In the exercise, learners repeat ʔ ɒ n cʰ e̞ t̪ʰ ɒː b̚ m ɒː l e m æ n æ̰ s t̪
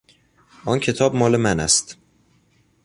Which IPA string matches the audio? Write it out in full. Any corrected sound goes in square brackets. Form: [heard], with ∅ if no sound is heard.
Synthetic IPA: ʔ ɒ n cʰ e̞ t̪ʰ ɒː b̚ m ɒː l e m æ n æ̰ s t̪